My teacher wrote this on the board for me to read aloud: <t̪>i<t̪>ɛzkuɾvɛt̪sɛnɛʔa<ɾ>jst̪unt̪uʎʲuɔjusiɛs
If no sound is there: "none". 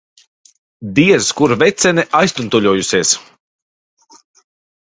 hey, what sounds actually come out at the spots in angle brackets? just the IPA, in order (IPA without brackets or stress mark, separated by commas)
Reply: d̪, none, none